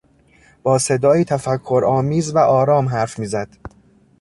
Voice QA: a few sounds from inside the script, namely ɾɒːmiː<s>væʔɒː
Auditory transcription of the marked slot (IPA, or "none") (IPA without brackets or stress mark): z